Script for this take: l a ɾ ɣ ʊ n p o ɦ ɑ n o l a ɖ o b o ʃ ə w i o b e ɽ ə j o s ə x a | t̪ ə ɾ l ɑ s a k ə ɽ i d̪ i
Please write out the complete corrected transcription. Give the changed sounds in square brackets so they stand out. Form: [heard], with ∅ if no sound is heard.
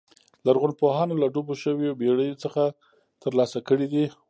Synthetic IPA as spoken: l a ɾ ɣ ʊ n p o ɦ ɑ n o l a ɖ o b o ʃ ə w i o b e ɽ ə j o [t͡s] ə x a | t̪ ə ɾ l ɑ s a k ə ɽ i d̪ i